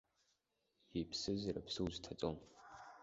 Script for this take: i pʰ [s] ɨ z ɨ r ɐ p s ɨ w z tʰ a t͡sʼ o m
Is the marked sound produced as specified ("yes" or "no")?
yes